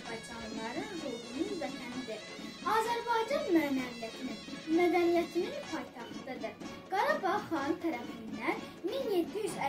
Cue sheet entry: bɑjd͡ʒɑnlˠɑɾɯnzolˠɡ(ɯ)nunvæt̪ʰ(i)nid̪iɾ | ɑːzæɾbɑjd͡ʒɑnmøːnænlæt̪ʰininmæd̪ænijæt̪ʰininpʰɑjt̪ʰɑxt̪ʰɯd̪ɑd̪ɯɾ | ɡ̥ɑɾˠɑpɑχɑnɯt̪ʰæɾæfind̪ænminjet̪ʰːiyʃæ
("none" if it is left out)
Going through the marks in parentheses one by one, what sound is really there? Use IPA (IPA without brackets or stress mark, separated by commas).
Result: u, æ